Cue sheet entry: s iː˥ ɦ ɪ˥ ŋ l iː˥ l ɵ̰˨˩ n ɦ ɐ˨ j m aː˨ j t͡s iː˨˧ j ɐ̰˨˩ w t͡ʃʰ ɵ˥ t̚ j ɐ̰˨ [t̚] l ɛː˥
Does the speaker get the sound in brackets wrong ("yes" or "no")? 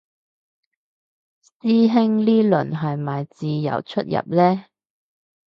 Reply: yes